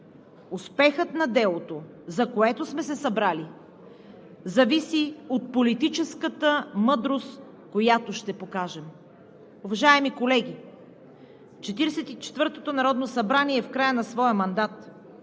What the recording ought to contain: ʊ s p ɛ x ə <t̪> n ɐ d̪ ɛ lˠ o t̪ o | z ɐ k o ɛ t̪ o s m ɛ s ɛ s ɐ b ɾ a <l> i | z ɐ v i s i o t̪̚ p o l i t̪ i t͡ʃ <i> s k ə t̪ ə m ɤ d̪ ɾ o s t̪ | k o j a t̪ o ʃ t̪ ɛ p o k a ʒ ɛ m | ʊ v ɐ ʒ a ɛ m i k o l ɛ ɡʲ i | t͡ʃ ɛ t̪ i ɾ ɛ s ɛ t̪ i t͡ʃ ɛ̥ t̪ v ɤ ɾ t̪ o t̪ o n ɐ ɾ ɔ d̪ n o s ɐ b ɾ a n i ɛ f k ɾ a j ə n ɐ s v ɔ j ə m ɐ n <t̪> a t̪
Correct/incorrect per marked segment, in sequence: correct, correct, incorrect: ɛ, incorrect: d̪

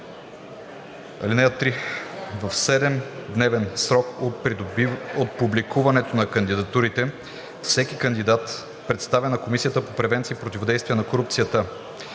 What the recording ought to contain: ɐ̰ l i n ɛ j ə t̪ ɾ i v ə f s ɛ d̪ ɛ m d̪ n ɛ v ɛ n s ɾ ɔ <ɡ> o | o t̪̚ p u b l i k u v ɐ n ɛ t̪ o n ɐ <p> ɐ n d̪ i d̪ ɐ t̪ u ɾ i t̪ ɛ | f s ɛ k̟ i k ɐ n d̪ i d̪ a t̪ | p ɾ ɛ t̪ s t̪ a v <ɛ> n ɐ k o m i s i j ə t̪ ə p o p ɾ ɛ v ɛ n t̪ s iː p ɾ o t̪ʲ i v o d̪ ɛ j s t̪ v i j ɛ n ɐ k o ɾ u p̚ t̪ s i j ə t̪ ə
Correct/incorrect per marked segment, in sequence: incorrect: k, incorrect: k, correct

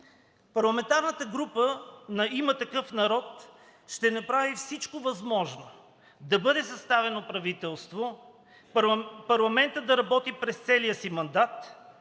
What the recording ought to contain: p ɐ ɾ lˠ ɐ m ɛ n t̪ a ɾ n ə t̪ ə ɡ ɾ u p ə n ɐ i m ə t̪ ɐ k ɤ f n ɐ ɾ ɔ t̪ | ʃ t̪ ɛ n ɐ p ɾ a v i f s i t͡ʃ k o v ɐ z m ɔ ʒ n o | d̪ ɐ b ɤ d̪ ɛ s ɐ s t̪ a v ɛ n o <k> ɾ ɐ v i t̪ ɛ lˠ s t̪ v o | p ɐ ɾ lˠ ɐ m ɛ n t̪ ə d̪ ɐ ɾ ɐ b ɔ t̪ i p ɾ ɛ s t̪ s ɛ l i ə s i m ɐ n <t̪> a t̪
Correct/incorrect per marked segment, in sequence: incorrect: p, incorrect: d̪

